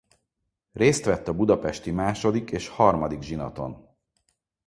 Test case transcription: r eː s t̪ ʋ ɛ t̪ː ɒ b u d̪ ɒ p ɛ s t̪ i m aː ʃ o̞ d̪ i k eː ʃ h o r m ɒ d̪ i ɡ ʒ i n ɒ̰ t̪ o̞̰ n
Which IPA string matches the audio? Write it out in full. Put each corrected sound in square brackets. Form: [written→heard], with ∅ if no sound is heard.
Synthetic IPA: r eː s t̪ ʋ ɛ t̪ː ɒ b u d̪ ɒ p ɛ [s→ʃ] t̪ i m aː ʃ o̞ d̪ i k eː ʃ h [o→ɒ] r m ɒ d̪ i ɡ ʒ i n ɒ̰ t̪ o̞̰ n